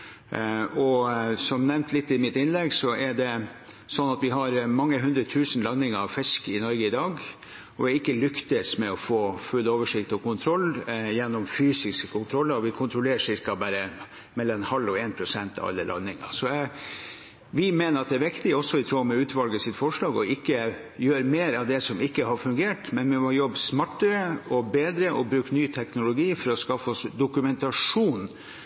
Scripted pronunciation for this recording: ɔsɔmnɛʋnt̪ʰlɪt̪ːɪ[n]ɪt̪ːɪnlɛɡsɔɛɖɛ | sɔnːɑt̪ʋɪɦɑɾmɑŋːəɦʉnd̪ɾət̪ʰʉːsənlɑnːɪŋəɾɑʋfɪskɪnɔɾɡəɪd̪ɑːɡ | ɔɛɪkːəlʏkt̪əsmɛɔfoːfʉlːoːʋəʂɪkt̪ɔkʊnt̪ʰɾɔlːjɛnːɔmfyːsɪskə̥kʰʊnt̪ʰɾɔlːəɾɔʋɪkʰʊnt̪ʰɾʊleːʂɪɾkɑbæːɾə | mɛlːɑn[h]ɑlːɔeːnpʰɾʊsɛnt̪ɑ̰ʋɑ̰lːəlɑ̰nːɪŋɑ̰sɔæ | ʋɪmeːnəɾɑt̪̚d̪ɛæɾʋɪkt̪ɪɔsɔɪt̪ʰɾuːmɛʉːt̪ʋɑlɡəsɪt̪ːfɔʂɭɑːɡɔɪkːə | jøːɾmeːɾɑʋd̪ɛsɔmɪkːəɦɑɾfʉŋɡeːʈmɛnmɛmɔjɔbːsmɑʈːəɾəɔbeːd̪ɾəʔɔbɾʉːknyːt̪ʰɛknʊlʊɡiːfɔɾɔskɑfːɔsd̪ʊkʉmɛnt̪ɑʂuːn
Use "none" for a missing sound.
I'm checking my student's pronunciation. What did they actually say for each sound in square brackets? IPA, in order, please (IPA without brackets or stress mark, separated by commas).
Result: m, h